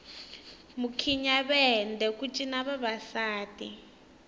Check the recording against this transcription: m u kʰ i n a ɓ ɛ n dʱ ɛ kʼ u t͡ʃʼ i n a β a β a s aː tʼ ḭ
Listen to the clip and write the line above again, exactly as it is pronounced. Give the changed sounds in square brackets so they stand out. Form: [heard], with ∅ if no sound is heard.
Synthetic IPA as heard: m u kʰ i [ɲ] a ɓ ɛ n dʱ ɛ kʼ u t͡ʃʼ i n a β a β a s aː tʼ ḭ